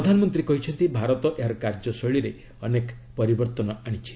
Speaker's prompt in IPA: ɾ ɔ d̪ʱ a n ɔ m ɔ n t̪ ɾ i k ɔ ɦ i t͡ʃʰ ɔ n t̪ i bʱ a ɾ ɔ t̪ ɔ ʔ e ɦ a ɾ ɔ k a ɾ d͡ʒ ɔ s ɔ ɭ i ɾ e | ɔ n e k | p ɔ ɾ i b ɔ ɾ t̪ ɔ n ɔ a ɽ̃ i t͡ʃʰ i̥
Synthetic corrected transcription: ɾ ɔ d̪ʱ a n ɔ m ɔ n t̪ ɾ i k ɔ ɦ i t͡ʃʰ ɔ n t̪ i bʱ a ɾ ɔ t̪ ɔ ʔ e ɦ a ɾ ɔ k a ɾ d͡ʒ ɔ s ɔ ɭ i ɾ e | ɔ n e k | p ɔ ɾ i b ɔ ɾ t̪ ɔ n ɔ a ɽ̃ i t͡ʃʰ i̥